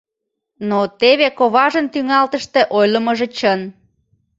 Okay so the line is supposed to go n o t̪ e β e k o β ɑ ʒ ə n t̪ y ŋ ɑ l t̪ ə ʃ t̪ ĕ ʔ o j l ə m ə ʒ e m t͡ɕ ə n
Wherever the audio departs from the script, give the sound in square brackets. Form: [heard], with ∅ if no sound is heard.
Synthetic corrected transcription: n o t̪ e β e k o β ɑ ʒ ə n t̪ y ŋ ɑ l t̪ ə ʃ t̪ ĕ ʔ o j l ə m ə ʒ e [∅] t͡ɕ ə n